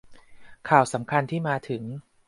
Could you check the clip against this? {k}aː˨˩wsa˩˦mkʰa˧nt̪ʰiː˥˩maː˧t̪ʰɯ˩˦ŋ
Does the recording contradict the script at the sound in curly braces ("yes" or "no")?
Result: yes